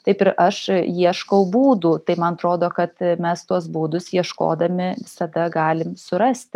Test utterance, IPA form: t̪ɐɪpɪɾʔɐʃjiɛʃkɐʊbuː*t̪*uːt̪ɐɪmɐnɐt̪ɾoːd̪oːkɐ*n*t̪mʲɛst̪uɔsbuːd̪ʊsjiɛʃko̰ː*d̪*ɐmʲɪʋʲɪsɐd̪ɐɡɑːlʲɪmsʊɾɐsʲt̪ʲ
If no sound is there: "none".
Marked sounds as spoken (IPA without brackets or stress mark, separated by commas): d̪, none, d̪